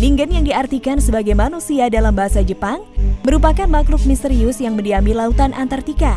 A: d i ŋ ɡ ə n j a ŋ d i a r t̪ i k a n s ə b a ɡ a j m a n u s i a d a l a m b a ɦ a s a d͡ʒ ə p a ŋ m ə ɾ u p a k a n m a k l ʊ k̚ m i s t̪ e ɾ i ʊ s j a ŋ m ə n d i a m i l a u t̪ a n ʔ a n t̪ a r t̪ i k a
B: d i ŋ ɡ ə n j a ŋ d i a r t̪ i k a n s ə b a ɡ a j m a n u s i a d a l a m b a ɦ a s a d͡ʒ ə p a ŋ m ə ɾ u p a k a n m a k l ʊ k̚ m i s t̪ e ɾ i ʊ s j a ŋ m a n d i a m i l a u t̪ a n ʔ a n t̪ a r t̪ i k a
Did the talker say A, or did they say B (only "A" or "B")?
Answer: A